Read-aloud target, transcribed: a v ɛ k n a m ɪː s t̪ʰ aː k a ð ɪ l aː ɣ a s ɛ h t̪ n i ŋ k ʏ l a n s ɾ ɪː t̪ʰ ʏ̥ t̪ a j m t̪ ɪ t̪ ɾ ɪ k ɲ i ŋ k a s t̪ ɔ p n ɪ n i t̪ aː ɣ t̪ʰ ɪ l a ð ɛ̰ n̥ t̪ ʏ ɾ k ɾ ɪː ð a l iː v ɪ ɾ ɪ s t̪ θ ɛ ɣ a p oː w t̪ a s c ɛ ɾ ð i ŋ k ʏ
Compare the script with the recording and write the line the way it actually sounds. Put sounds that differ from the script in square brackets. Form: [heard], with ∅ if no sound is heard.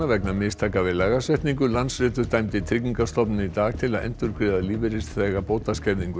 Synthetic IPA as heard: a v ɛ k n a m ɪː s t̪ʰ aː k a [v] ɪ l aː ɣ a s ɛ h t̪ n i ŋ k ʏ l a n s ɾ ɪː [t̪] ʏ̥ t̪ a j m t̪ ɪ [t̪ʰ] ɾ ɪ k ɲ i ŋ k a s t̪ ɔ p n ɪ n i t̪ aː ɣ t̪ʰ ɪ l a ð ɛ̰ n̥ t̪ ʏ ɾ k ɾ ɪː ð a l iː v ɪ ɾ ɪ s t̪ θ ɛ ɣ a p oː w t̪ a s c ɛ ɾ ð i ŋ k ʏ